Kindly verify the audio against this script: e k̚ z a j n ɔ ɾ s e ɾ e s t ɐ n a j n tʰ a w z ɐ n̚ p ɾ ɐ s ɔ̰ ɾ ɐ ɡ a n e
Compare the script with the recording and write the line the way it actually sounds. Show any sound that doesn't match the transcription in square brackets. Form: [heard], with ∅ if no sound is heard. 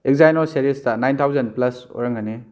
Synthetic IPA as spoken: e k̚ z a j n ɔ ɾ s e ɾ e s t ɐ n a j n tʰ a w z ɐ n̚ p [l] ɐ s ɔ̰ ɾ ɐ [ŋ] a n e